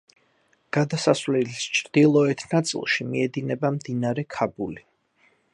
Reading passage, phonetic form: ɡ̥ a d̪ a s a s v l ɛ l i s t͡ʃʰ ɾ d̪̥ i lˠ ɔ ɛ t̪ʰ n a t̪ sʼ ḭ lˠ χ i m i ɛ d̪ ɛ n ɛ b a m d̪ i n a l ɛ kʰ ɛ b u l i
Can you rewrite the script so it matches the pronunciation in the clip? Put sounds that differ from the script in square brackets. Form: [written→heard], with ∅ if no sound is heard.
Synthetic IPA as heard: ɡ̥ a d̪ a s a s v l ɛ l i s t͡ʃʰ ɾ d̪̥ i lˠ ɔ ɛ t̪ʰ n a t̪ sʼ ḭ lˠ [χ→ʃ] i m i ɛ d̪ [ɛ→i] n ɛ b a m d̪ i n a [l→ɾ] ɛ kʰ [ɛ→a] b u l i